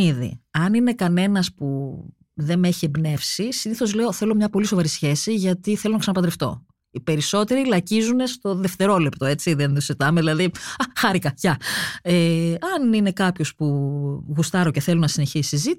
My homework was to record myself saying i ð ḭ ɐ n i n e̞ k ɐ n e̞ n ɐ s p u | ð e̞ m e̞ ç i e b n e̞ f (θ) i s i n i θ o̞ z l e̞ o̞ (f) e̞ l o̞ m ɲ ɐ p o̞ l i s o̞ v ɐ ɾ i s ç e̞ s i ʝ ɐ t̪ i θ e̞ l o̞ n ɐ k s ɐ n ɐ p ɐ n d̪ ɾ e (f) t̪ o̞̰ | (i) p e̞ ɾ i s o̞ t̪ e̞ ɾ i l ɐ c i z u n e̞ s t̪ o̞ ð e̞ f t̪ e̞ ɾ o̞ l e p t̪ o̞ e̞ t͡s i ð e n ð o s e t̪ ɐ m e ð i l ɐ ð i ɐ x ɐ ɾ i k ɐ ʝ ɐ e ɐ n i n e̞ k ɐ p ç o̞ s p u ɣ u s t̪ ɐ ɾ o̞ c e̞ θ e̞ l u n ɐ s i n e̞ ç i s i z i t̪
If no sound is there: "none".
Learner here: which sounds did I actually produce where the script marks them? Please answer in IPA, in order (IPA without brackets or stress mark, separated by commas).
s, θ, f, i